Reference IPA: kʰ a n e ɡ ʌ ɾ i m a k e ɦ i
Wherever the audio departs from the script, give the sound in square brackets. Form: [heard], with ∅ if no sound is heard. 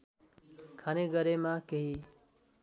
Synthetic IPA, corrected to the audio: kʰ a n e ɡ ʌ ɾ [e] m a k e ɦ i